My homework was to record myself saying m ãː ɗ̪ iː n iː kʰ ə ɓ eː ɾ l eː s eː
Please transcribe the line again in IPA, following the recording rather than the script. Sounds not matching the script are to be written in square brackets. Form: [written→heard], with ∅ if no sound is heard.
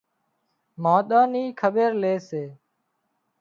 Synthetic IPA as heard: m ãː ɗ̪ [iː→aː] n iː kʰ ə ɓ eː ɾ l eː s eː

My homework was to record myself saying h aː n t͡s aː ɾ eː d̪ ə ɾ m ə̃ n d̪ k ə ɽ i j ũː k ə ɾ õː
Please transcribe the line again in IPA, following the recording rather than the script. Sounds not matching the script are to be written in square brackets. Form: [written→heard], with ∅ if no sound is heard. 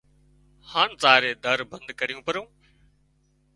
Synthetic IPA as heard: h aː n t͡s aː ɾ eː d̪ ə ɾ [m→b] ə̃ n d̪ k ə [ɽ→ɾ] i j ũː [k→p] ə ɾ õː

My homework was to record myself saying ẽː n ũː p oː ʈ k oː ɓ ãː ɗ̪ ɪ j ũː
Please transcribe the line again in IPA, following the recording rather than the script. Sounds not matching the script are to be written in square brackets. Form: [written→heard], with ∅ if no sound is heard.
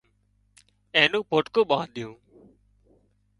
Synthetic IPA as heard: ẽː n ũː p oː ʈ k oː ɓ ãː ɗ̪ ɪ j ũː

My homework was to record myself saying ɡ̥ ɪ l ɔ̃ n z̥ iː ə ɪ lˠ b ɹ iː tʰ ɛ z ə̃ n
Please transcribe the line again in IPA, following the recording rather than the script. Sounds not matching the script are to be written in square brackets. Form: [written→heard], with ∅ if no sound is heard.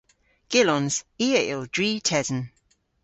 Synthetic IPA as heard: ɡ̥ ɪ l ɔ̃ n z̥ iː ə ɪ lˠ [b→d] ɹ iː tʰ ɛ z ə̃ n

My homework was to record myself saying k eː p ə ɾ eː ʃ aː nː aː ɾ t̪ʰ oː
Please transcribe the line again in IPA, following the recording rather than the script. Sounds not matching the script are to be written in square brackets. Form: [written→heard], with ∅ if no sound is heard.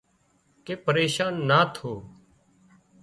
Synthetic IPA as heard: k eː p ə ɾ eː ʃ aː nː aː [ɾ→∅] t̪ʰ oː

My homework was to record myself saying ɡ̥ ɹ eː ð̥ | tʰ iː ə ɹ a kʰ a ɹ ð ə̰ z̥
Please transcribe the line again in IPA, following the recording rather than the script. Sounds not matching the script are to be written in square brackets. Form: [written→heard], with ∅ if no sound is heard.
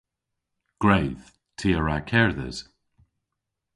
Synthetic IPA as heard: ɡ̥ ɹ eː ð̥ | tʰ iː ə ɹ a kʰ [a→ɛ] ɹ ð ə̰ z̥

